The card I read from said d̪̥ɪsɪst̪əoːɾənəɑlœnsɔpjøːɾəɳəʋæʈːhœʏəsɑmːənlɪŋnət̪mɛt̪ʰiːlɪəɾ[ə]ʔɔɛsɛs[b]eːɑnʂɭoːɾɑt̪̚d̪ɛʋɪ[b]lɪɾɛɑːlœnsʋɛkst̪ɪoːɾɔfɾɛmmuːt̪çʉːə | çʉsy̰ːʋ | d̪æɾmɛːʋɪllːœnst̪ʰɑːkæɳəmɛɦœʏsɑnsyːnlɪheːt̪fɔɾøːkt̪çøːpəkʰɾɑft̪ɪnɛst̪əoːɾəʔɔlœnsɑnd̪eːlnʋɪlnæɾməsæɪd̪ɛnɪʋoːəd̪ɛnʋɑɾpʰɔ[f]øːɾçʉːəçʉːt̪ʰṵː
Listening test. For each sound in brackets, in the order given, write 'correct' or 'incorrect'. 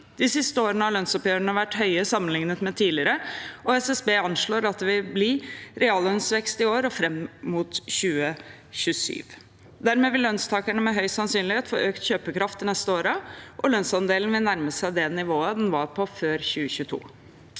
correct, correct, correct, correct

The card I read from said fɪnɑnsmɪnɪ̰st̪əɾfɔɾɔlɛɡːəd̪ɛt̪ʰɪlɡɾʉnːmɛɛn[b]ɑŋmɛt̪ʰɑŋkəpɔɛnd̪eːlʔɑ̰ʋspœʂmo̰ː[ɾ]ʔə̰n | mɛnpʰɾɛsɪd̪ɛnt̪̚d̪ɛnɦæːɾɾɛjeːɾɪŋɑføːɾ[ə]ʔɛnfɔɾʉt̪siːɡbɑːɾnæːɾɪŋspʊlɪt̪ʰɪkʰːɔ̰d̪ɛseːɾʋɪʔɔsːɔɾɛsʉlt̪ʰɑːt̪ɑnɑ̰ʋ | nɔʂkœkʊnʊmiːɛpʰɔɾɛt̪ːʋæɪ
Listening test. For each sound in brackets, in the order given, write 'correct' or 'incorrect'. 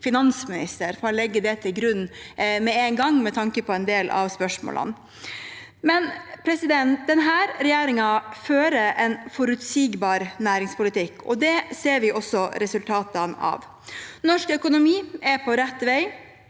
incorrect: ɡ, incorrect: l, correct

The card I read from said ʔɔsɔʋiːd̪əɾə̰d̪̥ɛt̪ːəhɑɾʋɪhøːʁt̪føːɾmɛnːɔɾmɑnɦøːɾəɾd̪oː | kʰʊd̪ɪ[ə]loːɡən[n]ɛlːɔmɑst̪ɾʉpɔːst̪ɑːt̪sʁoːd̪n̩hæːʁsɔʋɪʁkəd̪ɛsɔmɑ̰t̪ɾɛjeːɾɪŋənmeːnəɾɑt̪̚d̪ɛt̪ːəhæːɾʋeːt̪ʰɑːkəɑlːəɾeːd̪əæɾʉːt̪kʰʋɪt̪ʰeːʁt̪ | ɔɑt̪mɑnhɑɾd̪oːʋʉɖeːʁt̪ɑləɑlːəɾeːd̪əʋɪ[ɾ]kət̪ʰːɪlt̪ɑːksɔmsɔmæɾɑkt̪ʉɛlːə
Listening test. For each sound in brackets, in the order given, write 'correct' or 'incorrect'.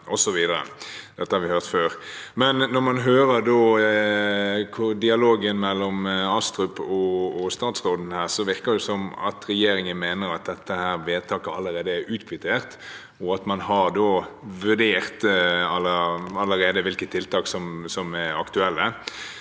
incorrect: ɑ, incorrect: m, incorrect: l

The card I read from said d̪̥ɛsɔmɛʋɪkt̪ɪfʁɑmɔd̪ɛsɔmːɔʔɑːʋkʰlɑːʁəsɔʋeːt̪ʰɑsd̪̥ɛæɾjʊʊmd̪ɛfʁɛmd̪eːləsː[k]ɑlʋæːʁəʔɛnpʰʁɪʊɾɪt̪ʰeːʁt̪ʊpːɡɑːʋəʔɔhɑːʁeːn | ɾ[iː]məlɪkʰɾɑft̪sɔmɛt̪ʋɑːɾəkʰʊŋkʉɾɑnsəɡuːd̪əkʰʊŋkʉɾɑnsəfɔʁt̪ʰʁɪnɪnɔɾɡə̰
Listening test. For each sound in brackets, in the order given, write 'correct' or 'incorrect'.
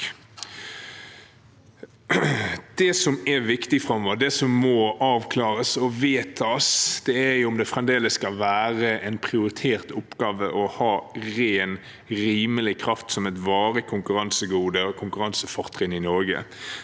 correct, correct

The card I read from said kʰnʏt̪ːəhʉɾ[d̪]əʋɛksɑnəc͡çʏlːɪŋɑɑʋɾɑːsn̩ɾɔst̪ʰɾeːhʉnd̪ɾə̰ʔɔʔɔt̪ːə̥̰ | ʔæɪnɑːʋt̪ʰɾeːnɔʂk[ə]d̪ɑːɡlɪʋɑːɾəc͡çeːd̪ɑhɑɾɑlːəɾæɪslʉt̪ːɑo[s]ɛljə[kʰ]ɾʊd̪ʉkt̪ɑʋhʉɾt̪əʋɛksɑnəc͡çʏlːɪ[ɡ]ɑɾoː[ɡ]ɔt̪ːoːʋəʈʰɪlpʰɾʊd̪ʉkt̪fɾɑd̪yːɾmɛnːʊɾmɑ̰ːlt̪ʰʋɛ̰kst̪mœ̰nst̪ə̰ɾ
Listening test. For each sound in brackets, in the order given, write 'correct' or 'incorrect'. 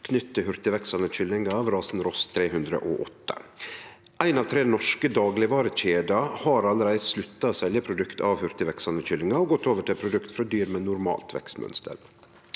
incorrect: t̪, correct, correct, incorrect: pʰ, incorrect: ŋ, correct

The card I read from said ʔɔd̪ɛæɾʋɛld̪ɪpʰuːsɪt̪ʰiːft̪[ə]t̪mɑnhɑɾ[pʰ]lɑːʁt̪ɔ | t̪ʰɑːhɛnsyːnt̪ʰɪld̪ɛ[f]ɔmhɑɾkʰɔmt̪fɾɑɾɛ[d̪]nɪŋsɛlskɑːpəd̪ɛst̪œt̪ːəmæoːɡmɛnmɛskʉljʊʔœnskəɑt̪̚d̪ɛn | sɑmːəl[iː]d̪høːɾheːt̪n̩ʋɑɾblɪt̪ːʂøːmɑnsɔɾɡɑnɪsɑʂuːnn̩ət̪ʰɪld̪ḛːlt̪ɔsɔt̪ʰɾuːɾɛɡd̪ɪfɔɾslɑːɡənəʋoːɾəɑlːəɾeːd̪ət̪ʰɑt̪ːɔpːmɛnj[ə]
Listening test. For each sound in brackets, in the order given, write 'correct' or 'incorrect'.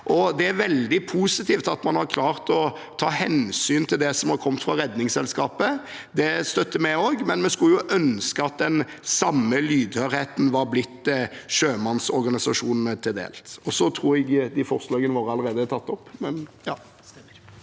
incorrect: ɑ, incorrect: kʰ, incorrect: s, correct, incorrect: yː, incorrect: ɑ

